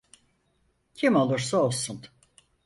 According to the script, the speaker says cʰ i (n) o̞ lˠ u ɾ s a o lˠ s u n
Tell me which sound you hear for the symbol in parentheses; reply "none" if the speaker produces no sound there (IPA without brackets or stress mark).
m